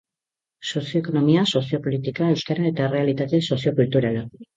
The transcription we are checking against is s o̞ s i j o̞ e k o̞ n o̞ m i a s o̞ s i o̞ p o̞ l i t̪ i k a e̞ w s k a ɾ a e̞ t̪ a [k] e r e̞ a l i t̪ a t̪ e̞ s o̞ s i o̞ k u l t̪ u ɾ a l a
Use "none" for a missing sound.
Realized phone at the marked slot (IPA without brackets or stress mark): none